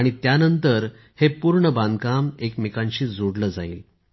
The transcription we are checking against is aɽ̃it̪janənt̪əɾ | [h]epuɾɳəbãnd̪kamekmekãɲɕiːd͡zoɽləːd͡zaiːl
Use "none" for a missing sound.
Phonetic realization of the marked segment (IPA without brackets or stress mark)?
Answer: h